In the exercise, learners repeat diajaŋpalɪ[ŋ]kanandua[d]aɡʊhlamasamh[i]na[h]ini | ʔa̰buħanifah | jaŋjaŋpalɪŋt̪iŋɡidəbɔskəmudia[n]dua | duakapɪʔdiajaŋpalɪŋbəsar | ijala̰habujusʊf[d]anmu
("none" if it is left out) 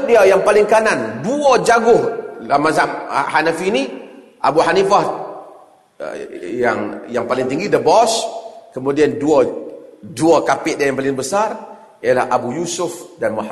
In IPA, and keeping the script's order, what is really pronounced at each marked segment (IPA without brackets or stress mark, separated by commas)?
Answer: ŋ, d͡ʒ, a, f, n, d